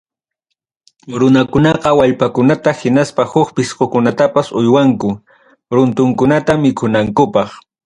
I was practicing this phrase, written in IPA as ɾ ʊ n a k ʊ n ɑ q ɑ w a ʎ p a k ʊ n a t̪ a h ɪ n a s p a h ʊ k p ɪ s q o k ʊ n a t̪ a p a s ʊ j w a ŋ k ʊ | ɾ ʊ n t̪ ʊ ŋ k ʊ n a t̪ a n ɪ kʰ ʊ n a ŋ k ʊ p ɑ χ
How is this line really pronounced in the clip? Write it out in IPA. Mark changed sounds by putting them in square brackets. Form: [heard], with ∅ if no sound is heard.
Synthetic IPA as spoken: ɾ ʊ n a k ʊ n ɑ q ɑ w a ʎ p a k ʊ n a t̪ a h ɪ n a s p a h ʊ k p ɪ s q o k ʊ n a t̪ a p a s ʊ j w a ŋ k ʊ | ɾ ʊ n t̪ ʊ ŋ k ʊ n a t̪ a [m] ɪ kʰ ʊ n a ŋ k ʊ p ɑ χ